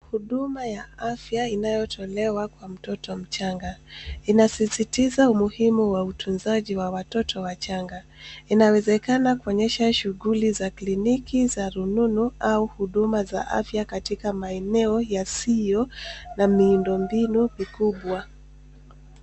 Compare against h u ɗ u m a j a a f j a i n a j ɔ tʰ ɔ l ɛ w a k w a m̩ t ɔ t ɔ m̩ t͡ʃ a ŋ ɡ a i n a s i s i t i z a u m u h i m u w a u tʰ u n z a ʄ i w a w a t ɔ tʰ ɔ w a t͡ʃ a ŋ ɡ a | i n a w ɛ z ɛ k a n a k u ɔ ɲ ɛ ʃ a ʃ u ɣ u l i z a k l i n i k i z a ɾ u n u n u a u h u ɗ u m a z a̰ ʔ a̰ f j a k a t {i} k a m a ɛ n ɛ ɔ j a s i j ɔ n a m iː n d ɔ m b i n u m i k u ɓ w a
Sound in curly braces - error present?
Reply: no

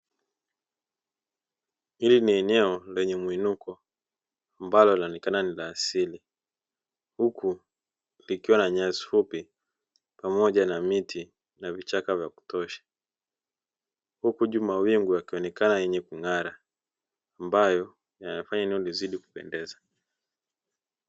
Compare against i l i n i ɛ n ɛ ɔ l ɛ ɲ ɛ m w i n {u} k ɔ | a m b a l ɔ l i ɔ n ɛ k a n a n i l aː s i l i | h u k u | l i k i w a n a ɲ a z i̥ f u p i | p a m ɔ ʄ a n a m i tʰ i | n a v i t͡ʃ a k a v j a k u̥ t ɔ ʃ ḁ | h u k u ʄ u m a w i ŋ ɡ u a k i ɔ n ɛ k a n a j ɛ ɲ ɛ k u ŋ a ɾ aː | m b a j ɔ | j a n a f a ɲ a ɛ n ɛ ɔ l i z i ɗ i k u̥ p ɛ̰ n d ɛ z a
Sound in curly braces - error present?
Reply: no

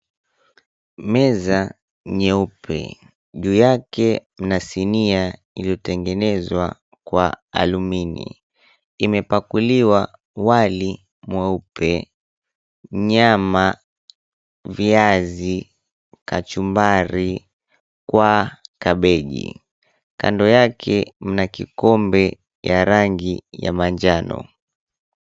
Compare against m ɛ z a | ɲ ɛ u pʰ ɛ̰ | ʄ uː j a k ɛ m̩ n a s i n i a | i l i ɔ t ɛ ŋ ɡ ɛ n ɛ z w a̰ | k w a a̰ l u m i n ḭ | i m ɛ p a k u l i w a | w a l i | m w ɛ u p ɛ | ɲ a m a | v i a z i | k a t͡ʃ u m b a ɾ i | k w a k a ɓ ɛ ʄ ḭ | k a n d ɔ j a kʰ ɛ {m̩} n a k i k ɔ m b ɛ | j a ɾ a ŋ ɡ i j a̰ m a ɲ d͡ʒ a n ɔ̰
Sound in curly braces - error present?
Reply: no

